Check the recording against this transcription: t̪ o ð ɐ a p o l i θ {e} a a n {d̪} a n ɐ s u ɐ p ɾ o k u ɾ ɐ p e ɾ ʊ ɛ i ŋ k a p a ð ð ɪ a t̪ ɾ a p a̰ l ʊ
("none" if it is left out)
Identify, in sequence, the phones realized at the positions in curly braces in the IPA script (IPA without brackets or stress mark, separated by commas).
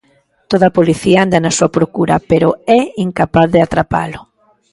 i, d̪